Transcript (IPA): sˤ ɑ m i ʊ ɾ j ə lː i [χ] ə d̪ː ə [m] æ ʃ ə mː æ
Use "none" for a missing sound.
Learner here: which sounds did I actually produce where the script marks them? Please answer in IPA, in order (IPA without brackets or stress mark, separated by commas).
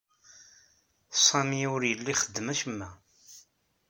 χ, m